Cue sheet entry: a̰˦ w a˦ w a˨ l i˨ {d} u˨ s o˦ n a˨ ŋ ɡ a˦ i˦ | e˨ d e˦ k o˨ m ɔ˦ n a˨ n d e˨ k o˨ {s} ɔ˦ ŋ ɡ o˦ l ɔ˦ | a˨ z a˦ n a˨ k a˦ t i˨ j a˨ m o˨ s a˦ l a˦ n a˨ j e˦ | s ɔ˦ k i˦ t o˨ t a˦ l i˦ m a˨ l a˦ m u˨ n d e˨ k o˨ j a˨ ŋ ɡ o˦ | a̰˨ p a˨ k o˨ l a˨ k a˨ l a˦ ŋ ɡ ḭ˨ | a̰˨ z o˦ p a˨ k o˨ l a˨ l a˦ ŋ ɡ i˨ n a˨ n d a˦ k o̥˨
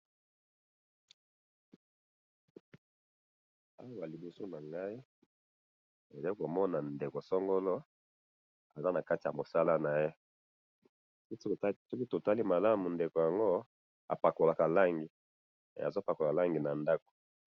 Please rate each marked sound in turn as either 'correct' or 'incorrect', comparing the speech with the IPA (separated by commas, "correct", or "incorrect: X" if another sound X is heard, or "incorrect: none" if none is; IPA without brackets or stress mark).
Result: incorrect: b, correct